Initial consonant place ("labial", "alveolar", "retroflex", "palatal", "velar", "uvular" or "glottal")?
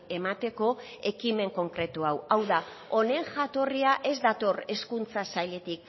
labial